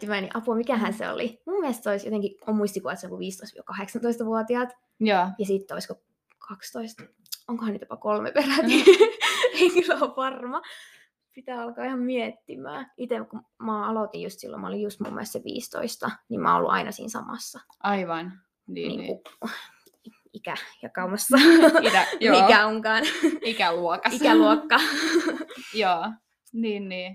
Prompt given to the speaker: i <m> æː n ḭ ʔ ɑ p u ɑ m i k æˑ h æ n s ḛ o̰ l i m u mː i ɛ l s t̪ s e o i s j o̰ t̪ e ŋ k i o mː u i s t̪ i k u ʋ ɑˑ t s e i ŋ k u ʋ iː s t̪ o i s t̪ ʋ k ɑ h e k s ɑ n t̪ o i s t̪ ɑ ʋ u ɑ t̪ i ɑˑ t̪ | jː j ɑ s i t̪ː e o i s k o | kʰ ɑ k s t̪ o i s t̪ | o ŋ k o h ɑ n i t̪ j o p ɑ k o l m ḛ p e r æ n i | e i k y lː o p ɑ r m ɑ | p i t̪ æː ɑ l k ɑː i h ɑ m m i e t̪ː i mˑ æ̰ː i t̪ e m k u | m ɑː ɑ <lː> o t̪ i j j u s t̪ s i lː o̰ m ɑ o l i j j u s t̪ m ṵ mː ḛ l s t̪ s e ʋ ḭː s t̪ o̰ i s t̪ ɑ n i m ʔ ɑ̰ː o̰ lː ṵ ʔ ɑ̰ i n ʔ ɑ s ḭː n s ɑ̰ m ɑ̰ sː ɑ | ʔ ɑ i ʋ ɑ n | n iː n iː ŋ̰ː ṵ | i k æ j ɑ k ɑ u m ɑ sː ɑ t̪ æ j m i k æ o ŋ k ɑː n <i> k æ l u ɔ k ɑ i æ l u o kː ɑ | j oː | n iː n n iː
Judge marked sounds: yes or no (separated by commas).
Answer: yes, no, yes